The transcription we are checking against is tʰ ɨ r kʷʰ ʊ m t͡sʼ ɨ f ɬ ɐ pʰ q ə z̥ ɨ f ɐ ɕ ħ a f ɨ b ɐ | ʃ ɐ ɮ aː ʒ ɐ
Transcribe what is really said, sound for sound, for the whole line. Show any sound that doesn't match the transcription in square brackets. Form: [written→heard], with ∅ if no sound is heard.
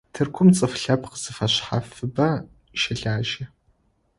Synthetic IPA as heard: tʰ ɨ r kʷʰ ʊ m t͡sʼ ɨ f ɬ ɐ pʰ q ə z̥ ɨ f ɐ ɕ ħ a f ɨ b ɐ | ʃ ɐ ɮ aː ʒ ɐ

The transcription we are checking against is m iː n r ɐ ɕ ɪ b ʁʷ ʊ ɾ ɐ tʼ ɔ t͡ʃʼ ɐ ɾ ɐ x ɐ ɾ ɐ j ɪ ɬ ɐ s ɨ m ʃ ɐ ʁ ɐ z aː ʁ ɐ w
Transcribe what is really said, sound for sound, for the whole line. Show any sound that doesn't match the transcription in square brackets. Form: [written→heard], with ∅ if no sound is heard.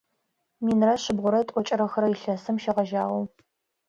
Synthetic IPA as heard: m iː n r ɐ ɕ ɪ b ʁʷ ʊ ɾ ɐ tʼ ɔ t͡ʃʼ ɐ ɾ ɐ x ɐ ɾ ɐ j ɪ ɬ ɐ s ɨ m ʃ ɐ ʁ ɐ [z→ʒ] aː ʁ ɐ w

